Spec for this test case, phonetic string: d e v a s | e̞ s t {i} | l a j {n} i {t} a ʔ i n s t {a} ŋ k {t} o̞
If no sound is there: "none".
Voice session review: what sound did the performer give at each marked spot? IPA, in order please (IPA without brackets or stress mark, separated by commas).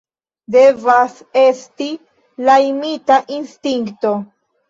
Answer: i, m, t, i, t